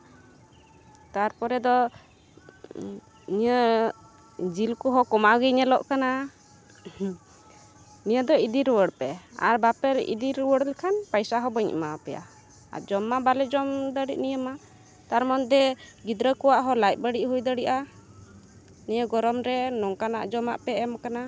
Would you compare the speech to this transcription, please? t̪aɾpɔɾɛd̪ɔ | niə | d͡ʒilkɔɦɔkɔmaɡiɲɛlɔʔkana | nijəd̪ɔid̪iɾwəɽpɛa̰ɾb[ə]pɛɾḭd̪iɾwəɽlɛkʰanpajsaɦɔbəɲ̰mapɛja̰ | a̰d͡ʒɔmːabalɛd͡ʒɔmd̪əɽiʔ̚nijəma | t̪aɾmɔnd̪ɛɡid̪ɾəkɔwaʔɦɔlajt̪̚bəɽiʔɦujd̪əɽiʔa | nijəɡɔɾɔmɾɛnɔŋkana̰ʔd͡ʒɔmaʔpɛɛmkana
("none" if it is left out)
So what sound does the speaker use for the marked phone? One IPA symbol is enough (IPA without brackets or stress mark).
a